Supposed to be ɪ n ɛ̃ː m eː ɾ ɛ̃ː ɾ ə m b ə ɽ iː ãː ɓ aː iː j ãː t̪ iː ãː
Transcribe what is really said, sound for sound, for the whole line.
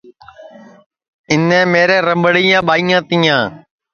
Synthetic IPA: ɪ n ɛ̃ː m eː ɾ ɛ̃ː ɾ ə m b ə ɽ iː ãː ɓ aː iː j ãː t̪ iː ãː